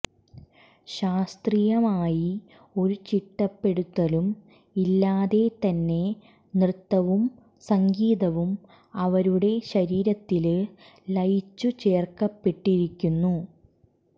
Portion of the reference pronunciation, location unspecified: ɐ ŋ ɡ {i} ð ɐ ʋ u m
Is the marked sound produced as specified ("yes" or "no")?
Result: no